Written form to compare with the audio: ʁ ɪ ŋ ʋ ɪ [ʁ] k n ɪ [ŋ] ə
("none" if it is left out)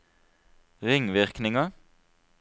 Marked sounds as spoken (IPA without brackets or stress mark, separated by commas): ʁ, ŋ